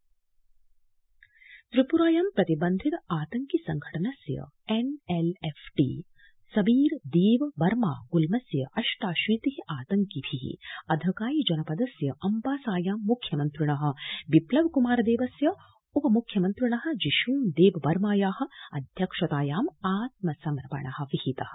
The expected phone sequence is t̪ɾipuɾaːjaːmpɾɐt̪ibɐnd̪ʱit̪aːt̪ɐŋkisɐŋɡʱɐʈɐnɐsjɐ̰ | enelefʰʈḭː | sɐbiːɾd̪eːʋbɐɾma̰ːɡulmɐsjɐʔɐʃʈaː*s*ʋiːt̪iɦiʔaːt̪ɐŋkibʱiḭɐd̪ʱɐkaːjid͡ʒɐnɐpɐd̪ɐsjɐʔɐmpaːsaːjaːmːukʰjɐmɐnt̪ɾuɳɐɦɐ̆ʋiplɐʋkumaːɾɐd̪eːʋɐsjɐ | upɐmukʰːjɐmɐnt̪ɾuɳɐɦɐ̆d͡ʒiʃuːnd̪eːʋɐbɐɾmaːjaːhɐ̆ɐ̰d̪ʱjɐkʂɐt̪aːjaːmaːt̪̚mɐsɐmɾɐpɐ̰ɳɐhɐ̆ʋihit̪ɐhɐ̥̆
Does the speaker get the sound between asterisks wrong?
yes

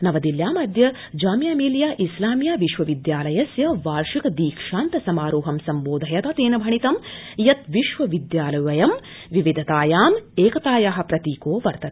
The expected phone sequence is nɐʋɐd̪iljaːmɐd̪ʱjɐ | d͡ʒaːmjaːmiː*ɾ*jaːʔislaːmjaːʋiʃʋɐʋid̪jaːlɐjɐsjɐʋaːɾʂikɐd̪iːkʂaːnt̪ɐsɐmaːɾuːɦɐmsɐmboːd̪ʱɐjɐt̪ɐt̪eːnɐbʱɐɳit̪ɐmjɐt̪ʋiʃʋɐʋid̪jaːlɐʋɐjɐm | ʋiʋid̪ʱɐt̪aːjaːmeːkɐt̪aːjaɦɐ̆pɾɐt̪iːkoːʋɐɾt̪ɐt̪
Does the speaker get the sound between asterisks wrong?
yes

